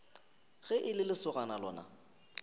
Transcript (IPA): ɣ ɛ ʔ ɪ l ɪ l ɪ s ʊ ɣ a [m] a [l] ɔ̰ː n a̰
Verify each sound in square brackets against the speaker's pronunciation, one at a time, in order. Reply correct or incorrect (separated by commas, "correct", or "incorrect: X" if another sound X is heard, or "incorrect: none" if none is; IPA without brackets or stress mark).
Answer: incorrect: n, correct